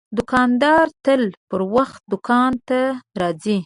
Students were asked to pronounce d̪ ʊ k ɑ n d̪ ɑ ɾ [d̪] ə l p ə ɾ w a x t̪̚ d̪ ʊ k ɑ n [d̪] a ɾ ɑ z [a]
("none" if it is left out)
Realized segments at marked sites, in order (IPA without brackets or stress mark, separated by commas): t̪, t̪, i